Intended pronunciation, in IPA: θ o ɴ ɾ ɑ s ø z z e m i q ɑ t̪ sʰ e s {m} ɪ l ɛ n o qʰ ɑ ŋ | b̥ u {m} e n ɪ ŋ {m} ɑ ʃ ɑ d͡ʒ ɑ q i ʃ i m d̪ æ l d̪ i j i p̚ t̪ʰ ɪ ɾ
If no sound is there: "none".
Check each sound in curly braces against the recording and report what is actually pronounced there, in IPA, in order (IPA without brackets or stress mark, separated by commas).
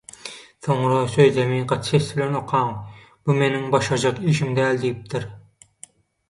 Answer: b, m, b